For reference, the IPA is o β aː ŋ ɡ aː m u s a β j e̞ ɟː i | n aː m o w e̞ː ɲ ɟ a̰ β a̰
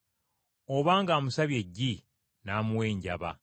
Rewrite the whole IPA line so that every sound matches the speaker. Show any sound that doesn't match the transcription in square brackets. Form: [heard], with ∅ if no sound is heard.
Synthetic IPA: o β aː ŋ ɡ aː m u s a β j e̞ ɟː i | n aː m [u] w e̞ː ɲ ɟ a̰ β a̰